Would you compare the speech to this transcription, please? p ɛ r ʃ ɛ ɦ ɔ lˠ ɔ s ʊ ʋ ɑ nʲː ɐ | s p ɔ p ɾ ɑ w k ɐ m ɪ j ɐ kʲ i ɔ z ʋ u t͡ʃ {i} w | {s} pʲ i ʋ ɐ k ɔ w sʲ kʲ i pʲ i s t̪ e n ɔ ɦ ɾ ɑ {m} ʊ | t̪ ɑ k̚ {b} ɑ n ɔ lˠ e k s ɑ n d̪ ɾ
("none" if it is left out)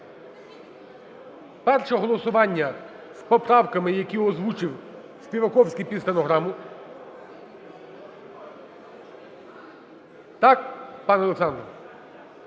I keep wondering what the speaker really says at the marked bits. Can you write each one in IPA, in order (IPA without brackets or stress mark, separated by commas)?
ɪ, s, m, p